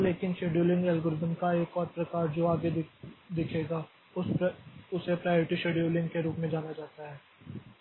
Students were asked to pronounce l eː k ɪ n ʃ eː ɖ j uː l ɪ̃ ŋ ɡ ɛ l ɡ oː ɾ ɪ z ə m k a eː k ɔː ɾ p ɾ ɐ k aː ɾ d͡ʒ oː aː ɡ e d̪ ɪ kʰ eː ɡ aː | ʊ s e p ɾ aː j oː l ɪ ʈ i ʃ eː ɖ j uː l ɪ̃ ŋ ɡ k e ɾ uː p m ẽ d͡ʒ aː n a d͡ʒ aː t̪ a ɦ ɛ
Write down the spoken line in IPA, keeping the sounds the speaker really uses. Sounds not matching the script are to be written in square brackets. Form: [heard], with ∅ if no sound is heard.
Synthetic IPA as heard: l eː k ɪ n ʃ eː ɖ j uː l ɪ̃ ŋ ɡ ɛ l ɡ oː ɾ ɪ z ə m k a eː k ɔː ɾ p ɾ ɐ k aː ɾ d͡ʒ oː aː ɡ e d̪ ɪ kʰ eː ɡ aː | ʊ s e p ɾ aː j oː [ɾ] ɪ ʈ i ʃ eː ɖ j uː l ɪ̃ ŋ ɡ k e ɾ uː p m ẽ d͡ʒ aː n a d͡ʒ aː t̪ a ɦ [ɛː]

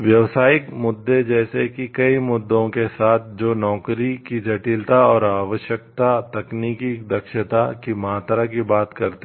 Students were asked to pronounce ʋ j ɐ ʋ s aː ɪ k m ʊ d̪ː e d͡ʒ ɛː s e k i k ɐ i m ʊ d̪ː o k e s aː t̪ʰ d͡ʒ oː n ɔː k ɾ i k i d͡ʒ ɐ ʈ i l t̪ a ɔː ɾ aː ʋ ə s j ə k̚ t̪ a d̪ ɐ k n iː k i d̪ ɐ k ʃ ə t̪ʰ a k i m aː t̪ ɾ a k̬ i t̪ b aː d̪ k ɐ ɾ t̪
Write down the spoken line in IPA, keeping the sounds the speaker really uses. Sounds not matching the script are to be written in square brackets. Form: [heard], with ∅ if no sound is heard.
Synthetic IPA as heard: ʋ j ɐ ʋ s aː ɪ k m ʊ d̪ː e d͡ʒ ɛː s e k i k ɐ i m ʊ d̪ː [õ] k e s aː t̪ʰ d͡ʒ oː n ɔː k ɾ i k i d͡ʒ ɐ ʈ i l t̪ a ɔː ɾ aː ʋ ə [ʃ] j ə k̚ t̪ a [t̪] ɐ k n iː k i d̪ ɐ k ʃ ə [t̪] a k i m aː t̪ ɾ a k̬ i [∅] b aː [t̪] k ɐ ɾ t̪

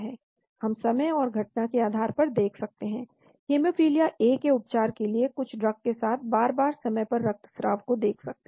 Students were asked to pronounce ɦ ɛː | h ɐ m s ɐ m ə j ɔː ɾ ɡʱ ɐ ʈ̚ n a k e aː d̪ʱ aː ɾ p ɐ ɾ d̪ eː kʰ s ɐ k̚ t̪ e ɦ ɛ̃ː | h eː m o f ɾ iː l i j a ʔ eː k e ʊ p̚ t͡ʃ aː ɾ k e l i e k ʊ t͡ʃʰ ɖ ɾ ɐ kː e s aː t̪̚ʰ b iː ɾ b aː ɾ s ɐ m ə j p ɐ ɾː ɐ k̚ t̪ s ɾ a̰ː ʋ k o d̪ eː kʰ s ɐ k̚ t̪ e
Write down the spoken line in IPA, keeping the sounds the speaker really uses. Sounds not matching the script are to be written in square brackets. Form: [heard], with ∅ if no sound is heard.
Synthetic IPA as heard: ɦ ɛː | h ɐ m s ɐ m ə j ɔː ɾ ɡʱ ɐ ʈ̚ n a k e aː d̪ʱ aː ɾ p ɐ ɾ d̪ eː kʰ s ɐ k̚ t̪ e ɦ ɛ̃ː | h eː m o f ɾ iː l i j a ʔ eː k e ʊ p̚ t͡ʃ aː ɾ k e l i e k ʊ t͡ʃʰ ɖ ɾ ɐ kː e s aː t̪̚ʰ b [aː] ɾ b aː ɾ s ɐ m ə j p ɐ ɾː ɐ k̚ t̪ s ɾ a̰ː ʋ k o d̪ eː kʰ s ɐ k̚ t̪ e

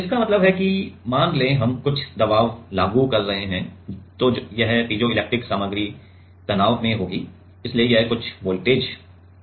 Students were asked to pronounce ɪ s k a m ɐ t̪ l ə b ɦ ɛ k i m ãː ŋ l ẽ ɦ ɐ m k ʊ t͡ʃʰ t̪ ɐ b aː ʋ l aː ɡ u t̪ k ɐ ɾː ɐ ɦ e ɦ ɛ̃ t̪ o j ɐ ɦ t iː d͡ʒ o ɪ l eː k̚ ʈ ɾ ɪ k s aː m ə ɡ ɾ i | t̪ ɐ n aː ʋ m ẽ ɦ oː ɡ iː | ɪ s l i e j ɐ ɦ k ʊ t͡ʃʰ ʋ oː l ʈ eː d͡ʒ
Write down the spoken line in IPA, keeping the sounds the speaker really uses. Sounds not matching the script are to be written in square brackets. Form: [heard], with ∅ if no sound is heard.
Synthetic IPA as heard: ɪ s k a m ɐ t̪ l ə b ɦ ɛ k i m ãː [n] l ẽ ɦ ɐ m k ʊ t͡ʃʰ [d̪] ɐ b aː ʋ l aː ɡ u [∅] k ɐ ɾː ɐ ɦ e ɦ ɛ̃ t̪ o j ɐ ɦ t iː d͡ʒ o ɪ l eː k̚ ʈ ɾ ɪ k s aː m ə ɡ ɾ i | t̪ ɐ n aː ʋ m ẽ ɦ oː ɡ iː | ɪ s l i e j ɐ ɦ k ʊ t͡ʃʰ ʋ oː l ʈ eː d͡ʒ

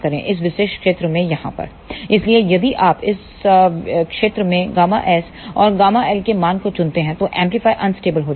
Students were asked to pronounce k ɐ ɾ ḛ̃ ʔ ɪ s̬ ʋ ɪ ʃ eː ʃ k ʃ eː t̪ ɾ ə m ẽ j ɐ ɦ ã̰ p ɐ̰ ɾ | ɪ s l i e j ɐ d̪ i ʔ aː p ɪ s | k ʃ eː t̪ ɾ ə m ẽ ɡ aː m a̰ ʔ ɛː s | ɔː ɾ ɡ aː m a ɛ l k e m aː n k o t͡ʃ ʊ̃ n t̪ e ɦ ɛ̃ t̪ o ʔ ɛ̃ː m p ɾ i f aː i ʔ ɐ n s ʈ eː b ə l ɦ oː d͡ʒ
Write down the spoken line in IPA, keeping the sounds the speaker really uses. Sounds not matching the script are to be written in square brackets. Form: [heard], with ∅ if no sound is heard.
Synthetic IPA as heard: k ɐ ɾ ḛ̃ ʔ ɪ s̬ ʋ ɪ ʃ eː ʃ k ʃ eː t̪ ɾ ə m ẽ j ɐ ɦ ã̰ p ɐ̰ ɾ | ɪ s l i e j ɐ d̪ i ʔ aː p ɪ s | k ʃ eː t̪ ɾ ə m ẽ ɡ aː m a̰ ʔ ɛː s | ɔː ɾ ɡ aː m a ɛ l k e m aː n k o t͡ʃ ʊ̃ n t̪ e ɦ ɛ̃ t̪ o ʔ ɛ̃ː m p [l] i f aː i ʔ ɐ n s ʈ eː b ə l ɦ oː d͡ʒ

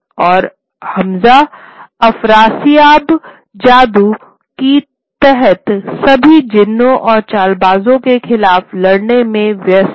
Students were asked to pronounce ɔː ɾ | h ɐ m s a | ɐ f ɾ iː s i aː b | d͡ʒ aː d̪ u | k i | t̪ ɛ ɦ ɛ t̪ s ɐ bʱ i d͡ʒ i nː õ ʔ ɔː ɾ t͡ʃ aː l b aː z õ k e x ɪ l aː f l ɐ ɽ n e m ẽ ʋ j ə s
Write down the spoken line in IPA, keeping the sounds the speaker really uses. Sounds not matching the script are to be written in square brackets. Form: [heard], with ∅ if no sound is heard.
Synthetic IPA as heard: ɔː ɾ | h ɐ m [z] a | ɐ f ɾ [aː] s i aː b | d͡ʒ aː d̪ u | k i | t̪ ɛ ɦ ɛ t̪ s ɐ bʱ i d͡ʒ [ɪ] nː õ ʔ ɔː ɾ t͡ʃ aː l b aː z õ k e x ɪ l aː f l ɐ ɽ n e m ẽ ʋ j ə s

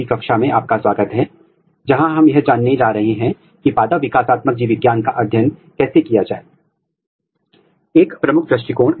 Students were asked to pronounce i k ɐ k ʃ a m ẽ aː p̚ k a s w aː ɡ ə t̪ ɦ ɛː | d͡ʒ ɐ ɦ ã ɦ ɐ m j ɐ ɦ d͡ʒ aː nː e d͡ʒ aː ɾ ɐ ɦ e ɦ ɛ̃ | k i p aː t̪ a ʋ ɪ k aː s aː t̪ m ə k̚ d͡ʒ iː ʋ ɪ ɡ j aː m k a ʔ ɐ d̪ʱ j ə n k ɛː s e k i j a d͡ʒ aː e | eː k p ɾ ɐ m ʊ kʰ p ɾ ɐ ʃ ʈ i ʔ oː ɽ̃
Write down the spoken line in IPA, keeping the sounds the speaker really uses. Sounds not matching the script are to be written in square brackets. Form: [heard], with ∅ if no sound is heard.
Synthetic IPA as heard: i k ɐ k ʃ a m ẽ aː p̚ k a s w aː ɡ ə t̪ ɦ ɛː | d͡ʒ ɐ ɦ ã ɦ ɐ m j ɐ ɦ d͡ʒ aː nː e d͡ʒ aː ɾ ɐ ɦ e ɦ ɛ̃ | k i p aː [d̪] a ʋ ɪ k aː s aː t̪ m ə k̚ d͡ʒ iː ʋ ɪ ɡ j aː [n] k a ʔ ɐ d̪ʱ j ə n k ɛː s e k i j a d͡ʒ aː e | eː k p ɾ ɐ m ʊ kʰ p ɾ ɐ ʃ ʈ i [k] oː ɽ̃

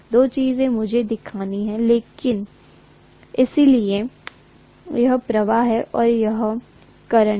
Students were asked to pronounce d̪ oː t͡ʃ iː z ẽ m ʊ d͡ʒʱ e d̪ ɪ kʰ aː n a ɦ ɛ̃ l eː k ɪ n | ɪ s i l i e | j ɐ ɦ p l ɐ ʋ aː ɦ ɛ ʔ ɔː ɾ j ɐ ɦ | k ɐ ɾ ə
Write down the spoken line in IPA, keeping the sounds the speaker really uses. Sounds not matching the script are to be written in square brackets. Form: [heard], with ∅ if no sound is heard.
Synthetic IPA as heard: d̪ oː t͡ʃ iː z ẽ m ʊ d͡ʒʱ e d̪ ɪ kʰ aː n [i] ɦ ɛ̃ l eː k ɪ n | ɪ s i l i e | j ɐ ɦ p [ɾ] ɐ ʋ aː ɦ ɛ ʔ ɔː ɾ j ɐ ɦ | k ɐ ɾ ə

